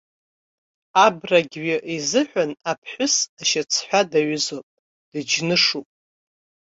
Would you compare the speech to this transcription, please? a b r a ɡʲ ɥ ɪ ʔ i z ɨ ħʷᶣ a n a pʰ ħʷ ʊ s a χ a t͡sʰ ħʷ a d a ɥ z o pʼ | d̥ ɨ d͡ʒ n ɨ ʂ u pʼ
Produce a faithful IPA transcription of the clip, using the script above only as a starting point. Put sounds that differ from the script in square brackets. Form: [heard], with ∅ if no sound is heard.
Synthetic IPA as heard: a b r a ɡʲ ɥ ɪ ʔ i z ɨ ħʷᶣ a n a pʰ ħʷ ʊ s a [ʃ] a t͡sʰ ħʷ a d a ɥ z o pʼ | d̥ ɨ d͡ʒ n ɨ ʂ u pʼ